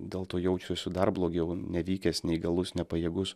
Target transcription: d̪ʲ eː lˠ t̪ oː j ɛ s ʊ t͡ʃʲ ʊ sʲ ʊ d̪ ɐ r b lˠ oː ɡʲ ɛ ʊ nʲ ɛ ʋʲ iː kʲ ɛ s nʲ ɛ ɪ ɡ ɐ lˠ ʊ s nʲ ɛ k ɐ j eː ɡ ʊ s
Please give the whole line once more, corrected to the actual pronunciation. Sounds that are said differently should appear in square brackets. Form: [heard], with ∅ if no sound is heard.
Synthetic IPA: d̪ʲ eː lˠ t̪ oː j ɛ [∅] ʊ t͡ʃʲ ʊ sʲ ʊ d̪ ɐ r b lˠ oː ɡʲ ɛ ʊ nʲ ɛ ʋʲ iː kʲ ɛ s nʲ ɛ ɪ ɡ ɐ lˠ ʊ s nʲ ɛ [p] ɐ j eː ɡ ʊ s